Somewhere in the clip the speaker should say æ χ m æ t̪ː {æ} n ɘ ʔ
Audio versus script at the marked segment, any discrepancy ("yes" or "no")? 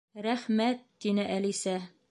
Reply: yes